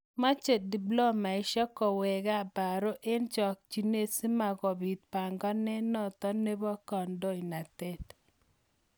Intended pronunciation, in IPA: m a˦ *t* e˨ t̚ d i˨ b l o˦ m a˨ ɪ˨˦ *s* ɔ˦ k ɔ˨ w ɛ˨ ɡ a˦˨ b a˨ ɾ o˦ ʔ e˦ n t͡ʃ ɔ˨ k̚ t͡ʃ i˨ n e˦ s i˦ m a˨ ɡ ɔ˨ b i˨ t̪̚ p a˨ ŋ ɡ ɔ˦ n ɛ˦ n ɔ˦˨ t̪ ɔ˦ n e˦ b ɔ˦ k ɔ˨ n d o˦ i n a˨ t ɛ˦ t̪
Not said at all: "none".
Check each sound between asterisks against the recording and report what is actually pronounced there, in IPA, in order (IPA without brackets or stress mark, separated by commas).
t͡ʃ, ʃ